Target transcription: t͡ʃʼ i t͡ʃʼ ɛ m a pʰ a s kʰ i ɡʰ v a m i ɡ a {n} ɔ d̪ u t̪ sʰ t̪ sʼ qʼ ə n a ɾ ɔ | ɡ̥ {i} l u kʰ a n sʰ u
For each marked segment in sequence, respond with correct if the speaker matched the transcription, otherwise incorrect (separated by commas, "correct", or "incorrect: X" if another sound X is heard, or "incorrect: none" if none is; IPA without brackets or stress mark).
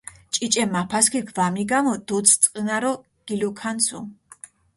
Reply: incorrect: m, correct